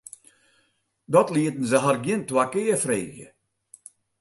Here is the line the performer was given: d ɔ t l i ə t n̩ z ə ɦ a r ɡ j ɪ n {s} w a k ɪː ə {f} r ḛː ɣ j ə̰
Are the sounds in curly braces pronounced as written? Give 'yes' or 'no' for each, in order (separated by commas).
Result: no, yes